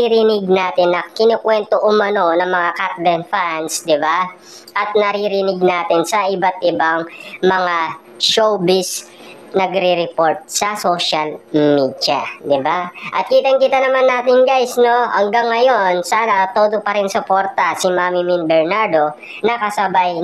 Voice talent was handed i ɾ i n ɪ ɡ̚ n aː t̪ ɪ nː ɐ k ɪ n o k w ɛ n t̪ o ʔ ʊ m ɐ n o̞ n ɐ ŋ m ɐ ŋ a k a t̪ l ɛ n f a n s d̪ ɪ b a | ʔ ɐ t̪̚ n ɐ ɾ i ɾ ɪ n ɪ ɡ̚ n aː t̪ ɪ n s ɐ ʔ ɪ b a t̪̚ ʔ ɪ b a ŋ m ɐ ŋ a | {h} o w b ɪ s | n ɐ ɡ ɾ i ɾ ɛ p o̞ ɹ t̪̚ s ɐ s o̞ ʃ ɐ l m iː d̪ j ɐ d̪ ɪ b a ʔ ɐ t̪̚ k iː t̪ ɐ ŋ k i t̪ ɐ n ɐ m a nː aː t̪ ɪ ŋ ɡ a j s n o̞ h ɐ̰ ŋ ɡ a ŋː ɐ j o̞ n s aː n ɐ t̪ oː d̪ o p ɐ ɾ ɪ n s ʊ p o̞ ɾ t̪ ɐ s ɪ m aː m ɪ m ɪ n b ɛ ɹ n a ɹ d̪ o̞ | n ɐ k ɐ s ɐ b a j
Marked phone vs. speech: incorrect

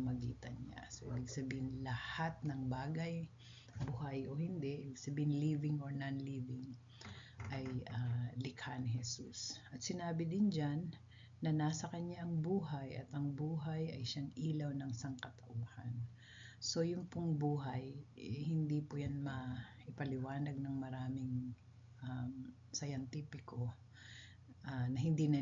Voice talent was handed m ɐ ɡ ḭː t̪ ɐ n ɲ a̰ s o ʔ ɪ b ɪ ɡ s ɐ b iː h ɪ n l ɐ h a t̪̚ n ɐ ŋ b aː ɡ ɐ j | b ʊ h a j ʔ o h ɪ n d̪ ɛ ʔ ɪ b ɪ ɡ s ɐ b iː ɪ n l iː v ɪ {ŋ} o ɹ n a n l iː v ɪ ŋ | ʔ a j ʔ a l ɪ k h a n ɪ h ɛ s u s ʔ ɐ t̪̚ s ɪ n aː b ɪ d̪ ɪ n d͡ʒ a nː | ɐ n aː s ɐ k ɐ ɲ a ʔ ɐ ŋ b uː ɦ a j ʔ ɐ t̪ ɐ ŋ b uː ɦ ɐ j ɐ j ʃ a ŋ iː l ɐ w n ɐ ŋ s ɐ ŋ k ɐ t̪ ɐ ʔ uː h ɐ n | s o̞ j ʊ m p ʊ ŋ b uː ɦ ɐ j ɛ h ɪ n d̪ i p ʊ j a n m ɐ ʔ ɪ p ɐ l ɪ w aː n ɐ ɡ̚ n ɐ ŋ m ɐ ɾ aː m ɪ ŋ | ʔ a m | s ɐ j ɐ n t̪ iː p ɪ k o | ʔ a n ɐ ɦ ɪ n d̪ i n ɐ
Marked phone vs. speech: correct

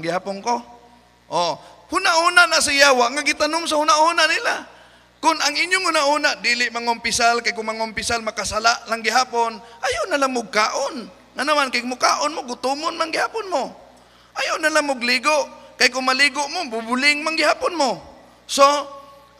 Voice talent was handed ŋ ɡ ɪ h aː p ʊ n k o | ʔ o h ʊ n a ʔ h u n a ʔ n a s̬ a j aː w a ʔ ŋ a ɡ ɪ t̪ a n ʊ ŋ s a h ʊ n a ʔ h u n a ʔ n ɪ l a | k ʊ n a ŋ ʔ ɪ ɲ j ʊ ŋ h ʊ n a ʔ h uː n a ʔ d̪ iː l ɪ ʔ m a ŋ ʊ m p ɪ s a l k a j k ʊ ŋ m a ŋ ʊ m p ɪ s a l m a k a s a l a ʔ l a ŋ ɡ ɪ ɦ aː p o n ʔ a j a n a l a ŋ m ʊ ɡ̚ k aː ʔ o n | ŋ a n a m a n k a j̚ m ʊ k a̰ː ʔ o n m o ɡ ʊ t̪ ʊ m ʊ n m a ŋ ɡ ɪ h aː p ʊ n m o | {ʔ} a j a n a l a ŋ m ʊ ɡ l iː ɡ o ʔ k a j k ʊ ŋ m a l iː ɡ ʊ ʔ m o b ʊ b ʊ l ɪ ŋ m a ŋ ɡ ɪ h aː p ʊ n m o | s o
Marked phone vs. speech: correct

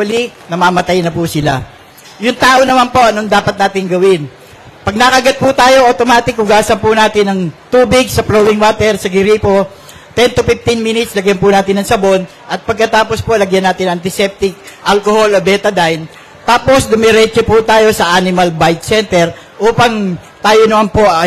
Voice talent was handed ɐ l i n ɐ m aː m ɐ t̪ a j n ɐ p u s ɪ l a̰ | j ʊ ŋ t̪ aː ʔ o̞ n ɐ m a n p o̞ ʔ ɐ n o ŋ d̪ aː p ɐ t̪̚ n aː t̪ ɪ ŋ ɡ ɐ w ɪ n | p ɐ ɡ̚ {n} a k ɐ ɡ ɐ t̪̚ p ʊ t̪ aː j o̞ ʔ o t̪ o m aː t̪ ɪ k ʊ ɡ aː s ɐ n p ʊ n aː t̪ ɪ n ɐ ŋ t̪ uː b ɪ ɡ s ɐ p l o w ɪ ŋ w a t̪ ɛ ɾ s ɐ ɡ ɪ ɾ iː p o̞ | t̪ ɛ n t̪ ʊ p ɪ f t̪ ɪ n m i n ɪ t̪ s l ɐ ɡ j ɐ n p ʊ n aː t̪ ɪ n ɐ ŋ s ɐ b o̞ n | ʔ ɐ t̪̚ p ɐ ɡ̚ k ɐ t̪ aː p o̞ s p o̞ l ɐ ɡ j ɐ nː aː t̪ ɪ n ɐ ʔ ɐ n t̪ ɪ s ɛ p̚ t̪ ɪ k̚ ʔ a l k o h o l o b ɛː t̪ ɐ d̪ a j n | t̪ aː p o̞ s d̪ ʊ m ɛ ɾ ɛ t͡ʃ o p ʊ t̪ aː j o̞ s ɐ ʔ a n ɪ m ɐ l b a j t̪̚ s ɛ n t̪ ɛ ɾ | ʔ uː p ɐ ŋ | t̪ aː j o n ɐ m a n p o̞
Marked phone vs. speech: correct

